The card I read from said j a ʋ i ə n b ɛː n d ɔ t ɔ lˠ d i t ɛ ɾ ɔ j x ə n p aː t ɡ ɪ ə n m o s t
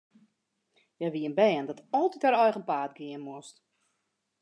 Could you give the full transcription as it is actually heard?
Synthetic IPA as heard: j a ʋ i ə n b ɛː n d ɔ t ɔ lˠ t i t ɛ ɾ ɔ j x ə n p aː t ɡ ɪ ə n m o s t